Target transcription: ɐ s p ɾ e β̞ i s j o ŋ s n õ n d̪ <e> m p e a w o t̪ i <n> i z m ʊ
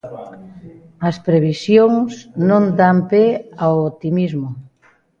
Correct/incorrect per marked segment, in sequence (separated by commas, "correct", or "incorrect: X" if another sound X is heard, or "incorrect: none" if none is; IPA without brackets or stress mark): incorrect: a, incorrect: m